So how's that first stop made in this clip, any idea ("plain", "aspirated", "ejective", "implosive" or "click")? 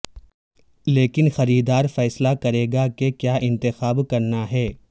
plain